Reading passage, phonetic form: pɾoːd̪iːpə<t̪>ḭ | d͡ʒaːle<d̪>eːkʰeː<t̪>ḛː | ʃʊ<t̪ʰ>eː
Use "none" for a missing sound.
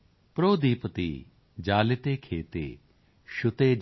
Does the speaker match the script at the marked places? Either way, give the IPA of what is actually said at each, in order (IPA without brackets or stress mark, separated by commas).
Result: t̪, t̪, t̪, t̪